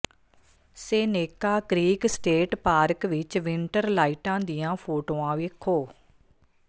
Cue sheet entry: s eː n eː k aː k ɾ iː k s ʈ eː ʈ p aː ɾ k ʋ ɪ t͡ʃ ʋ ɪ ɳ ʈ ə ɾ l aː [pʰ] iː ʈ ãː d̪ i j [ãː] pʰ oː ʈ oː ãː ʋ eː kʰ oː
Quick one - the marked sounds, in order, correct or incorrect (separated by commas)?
incorrect, correct